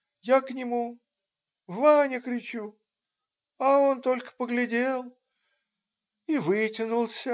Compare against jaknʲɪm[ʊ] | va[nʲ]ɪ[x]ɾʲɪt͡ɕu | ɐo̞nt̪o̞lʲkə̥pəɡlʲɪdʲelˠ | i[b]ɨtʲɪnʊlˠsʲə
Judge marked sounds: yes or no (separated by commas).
no, yes, no, no